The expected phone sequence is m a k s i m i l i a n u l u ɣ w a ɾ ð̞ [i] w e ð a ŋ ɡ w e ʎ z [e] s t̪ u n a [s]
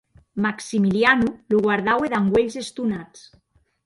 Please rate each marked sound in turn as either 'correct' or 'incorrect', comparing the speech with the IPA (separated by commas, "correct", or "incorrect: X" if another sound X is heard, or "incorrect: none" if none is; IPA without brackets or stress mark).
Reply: incorrect: a, correct, incorrect: t͡s